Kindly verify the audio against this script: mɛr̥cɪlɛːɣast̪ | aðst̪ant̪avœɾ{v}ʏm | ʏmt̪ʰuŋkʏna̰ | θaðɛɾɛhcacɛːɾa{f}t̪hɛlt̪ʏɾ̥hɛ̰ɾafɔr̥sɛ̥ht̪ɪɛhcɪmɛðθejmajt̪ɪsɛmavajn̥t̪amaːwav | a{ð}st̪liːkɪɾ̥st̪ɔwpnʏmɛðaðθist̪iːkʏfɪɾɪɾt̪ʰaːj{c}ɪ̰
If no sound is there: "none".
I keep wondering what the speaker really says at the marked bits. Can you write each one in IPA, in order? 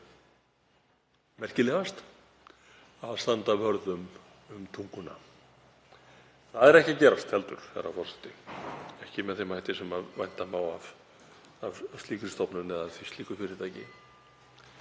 ð, s, v, c

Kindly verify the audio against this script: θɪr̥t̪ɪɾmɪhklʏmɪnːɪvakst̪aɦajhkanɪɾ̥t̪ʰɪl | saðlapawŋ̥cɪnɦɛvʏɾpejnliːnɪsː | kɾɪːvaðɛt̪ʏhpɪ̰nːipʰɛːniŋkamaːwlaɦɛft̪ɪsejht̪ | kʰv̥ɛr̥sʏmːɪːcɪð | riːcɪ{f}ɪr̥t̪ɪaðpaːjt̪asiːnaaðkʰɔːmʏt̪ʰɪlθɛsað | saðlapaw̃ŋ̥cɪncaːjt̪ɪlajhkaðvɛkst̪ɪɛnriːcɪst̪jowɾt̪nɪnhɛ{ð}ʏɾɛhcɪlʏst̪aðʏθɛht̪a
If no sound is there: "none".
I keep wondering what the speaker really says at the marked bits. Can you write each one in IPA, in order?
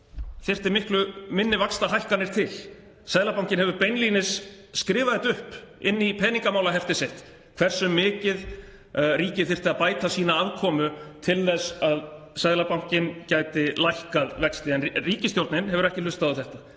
θ, v

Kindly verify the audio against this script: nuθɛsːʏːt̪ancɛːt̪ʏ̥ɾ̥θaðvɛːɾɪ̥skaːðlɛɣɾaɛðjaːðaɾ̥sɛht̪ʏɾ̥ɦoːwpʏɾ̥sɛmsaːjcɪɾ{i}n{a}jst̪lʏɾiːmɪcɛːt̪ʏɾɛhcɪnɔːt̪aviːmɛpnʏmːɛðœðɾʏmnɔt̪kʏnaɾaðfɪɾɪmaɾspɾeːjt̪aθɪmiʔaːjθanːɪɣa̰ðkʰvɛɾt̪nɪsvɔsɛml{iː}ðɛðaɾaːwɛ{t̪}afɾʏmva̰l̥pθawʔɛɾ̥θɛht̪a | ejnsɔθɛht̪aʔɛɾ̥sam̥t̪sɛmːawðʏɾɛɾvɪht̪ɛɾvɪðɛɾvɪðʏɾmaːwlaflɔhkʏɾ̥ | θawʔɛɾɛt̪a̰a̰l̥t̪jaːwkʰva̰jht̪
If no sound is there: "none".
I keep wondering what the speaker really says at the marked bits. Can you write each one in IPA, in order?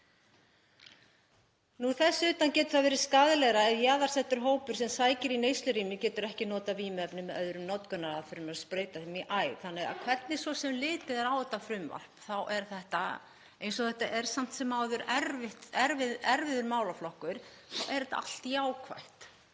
i, e, ɪː, t̪

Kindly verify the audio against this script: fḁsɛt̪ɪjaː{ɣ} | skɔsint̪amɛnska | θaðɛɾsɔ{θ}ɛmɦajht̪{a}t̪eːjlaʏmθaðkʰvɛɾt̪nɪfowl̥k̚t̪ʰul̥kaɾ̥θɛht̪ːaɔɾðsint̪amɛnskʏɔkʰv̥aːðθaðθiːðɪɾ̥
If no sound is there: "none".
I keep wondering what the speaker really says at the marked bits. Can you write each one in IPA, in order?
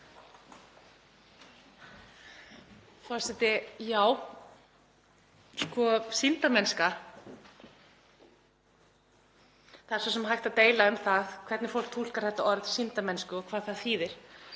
w, s, a

